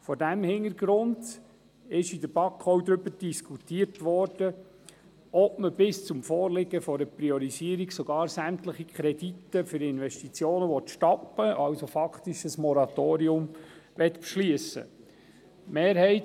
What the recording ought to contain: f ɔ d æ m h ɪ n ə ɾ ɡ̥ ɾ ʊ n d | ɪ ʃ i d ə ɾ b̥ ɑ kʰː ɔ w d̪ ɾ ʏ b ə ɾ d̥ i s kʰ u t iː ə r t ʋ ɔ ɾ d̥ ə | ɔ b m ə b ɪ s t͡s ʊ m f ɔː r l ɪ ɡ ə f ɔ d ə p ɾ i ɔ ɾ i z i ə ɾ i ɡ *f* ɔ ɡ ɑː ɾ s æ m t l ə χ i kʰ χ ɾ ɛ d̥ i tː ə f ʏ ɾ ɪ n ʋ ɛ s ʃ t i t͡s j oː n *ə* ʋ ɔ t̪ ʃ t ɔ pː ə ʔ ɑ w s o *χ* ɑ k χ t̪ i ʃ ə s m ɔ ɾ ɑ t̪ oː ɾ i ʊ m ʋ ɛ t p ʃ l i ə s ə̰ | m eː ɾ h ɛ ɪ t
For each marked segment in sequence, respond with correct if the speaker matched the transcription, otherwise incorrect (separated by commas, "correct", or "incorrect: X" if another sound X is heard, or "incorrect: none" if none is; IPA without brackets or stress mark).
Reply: incorrect: s, correct, incorrect: f